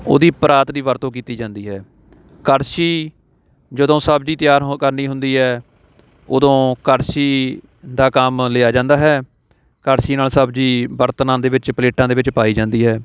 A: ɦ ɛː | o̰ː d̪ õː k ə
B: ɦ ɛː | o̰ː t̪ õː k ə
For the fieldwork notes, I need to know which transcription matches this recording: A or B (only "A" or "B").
A